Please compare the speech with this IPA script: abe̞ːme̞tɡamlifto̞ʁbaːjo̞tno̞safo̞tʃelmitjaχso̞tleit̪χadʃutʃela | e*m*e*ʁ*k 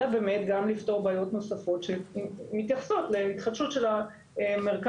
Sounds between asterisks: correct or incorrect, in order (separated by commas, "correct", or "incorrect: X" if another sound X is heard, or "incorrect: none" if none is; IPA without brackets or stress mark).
correct, correct